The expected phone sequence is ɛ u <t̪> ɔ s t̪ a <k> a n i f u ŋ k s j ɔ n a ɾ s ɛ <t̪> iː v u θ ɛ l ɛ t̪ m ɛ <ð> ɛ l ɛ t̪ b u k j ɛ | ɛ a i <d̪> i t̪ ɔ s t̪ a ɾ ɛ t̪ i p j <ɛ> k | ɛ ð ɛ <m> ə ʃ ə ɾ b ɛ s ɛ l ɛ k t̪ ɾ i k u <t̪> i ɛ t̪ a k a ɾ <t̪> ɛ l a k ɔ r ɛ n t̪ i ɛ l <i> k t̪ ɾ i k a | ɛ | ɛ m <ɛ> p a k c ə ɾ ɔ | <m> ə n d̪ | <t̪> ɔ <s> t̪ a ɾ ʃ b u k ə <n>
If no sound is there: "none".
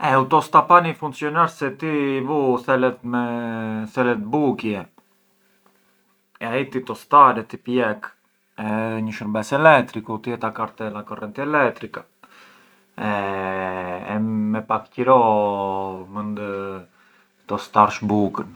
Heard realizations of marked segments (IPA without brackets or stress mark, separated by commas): t̪, p, t̪, θ, t̪, ɛ, ɲ, t̪, t̪, ɛ, ɛ, m, t̪, s, n